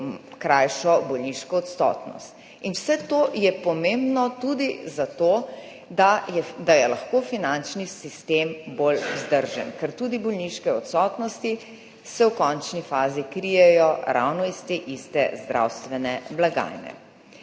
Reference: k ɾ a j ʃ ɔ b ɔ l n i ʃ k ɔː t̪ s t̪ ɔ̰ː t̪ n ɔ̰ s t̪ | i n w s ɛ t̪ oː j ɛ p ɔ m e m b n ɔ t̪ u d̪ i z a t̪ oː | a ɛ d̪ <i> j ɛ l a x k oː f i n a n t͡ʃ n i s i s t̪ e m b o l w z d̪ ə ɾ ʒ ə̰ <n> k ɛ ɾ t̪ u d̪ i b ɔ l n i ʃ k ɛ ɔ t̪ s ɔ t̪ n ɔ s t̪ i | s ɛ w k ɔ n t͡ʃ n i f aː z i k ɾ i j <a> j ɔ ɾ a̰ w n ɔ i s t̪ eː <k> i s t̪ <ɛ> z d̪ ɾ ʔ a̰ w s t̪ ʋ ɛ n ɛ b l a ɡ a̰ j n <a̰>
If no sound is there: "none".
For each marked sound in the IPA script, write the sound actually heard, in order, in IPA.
a, n, ɛ, ʔ, ɛ, ɛ̰

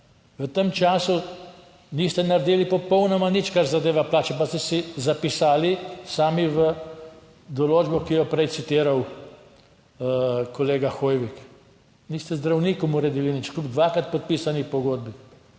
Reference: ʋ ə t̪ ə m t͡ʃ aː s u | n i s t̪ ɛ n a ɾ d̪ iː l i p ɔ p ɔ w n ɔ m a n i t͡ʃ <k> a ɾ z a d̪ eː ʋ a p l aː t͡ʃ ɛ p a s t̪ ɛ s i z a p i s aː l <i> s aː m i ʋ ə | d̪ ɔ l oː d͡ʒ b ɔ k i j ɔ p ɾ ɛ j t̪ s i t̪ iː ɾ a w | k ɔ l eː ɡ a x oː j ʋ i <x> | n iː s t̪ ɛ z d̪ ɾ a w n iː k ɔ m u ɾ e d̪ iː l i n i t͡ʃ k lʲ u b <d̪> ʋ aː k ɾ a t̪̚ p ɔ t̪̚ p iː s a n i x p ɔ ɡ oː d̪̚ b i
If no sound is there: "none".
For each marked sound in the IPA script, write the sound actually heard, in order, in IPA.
k, i, k, d̪

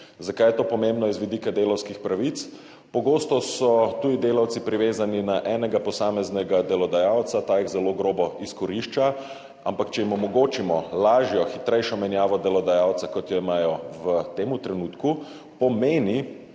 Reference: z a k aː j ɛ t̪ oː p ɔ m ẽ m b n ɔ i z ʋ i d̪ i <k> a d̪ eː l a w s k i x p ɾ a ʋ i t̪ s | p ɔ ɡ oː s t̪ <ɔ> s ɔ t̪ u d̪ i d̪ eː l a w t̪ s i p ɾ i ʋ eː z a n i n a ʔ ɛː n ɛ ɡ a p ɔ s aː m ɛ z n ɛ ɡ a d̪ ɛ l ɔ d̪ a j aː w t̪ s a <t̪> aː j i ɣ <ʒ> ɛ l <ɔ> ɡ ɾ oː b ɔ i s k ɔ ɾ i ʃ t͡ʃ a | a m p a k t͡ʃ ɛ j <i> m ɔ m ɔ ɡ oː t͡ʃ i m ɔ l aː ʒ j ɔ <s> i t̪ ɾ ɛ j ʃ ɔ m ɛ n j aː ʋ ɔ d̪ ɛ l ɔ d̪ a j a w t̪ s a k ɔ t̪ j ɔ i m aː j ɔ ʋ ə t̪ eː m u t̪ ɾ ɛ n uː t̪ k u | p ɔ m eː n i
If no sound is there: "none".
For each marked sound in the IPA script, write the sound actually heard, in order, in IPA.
k, ɔ, t̪, z, o, i, x

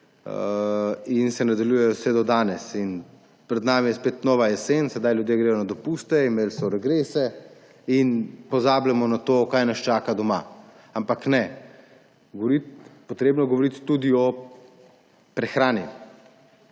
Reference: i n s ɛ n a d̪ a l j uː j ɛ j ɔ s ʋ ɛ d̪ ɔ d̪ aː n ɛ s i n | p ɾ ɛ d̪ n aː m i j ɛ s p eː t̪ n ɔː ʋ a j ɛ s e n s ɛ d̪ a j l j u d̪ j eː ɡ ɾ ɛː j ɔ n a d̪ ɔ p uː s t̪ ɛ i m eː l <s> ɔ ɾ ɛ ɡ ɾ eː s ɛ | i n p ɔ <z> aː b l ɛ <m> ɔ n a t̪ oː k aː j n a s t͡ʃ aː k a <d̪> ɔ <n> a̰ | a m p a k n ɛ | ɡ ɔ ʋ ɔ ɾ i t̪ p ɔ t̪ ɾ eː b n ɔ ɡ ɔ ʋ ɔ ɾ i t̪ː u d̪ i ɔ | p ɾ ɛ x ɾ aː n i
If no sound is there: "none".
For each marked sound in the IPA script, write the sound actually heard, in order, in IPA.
s, z, m, d̪, m

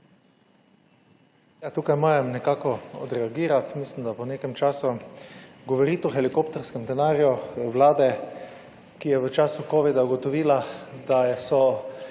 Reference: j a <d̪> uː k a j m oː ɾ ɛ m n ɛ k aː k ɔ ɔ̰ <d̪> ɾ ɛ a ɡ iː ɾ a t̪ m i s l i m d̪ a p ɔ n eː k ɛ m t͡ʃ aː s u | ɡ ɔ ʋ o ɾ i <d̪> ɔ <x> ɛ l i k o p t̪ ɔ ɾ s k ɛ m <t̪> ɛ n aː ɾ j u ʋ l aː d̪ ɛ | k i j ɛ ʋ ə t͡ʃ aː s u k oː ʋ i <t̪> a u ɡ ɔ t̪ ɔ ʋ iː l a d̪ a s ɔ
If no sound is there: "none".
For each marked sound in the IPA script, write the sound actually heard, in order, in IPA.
t̪, d̪, t̪, x, d̪, d̪

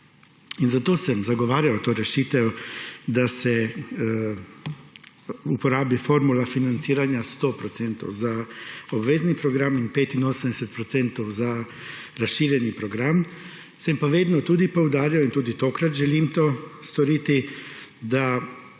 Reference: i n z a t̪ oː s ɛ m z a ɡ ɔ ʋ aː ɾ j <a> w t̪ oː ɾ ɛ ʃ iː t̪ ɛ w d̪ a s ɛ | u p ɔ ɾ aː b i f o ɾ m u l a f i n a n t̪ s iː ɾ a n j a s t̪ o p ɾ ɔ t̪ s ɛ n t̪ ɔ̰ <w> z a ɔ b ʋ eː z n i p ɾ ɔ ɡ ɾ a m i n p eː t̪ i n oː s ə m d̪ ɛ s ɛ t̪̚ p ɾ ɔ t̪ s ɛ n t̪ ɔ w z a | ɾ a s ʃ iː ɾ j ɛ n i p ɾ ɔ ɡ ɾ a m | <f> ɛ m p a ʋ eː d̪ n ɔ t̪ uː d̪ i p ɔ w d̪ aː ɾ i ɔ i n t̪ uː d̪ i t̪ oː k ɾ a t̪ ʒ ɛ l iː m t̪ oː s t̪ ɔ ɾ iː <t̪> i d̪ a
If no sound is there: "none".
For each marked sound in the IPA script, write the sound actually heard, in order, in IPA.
a, w, s, t̪

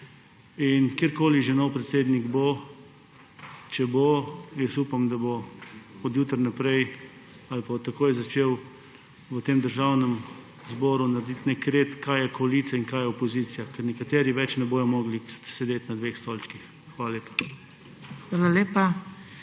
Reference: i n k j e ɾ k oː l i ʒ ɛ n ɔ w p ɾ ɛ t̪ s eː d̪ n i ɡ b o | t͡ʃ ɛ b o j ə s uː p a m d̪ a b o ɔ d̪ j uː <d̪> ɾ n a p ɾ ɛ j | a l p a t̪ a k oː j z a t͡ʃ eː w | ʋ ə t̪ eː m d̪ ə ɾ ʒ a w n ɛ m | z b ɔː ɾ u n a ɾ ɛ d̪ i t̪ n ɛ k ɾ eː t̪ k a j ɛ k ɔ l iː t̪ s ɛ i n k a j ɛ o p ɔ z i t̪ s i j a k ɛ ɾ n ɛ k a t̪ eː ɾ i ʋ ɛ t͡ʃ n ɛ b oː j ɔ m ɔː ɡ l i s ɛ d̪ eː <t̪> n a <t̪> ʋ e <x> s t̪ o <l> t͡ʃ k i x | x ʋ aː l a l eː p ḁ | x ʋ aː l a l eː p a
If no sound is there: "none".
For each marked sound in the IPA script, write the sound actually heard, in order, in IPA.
t̪, t̪, d̪, x, l

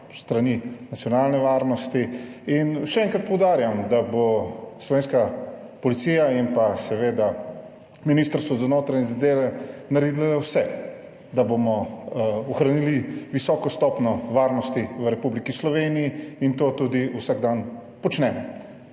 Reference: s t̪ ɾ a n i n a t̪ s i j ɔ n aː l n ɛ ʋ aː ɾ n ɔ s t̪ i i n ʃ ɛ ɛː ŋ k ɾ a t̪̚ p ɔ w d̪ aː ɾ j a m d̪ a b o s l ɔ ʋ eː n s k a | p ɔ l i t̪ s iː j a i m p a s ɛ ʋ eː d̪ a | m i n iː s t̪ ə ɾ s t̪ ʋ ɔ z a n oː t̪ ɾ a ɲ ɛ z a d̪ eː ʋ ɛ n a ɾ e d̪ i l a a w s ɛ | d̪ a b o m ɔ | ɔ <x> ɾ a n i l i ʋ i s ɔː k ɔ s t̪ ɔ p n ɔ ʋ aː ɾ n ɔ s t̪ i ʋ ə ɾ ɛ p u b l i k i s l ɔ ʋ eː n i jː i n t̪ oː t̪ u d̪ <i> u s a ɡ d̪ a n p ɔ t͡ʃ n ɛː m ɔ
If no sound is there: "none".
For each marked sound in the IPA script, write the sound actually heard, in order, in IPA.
x, i

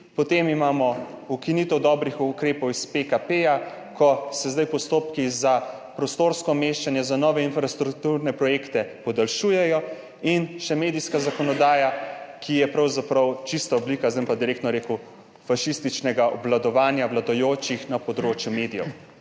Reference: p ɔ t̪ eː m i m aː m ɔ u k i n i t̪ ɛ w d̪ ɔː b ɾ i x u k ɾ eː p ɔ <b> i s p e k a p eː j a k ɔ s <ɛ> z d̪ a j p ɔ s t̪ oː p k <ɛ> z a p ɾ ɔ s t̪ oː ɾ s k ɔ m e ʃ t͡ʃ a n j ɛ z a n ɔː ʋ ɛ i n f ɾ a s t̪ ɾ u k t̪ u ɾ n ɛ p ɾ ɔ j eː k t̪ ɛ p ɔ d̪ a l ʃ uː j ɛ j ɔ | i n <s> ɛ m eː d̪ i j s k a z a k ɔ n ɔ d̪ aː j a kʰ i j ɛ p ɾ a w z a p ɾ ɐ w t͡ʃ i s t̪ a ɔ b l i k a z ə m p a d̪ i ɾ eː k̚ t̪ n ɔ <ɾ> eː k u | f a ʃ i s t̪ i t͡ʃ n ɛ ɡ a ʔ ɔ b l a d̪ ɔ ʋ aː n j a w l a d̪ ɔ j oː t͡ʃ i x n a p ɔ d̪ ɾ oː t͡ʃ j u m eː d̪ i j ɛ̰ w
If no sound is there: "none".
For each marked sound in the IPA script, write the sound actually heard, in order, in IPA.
w, ɛ, i, ʃ, ɾ

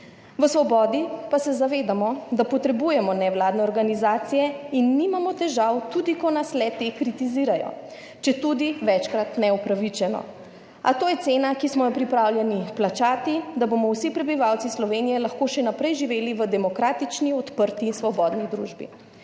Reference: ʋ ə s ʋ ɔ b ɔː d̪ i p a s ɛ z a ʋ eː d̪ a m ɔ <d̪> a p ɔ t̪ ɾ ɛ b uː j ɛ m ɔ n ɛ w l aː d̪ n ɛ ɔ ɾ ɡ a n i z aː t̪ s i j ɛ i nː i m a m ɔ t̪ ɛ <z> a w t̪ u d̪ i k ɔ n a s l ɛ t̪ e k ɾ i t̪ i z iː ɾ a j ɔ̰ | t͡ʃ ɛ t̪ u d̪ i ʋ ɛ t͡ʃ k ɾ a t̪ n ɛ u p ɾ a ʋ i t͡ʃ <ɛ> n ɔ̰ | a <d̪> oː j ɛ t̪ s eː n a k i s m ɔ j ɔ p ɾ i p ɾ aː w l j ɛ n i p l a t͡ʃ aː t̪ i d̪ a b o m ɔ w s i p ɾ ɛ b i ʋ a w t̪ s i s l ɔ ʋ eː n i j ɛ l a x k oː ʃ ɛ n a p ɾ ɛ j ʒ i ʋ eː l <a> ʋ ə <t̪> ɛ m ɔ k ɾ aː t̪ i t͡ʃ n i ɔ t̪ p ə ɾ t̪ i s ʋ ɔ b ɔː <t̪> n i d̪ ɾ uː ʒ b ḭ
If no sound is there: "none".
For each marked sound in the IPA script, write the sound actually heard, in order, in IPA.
d̪, ʒ, ɛ, t̪, i, d̪, d̪

